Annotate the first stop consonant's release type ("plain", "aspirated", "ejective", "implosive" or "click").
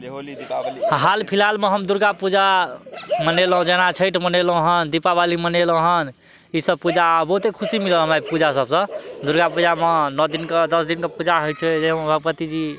aspirated